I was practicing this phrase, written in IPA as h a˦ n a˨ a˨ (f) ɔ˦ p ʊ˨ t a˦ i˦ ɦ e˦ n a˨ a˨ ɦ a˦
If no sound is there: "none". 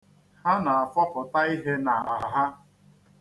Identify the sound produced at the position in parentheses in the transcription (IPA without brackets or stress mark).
f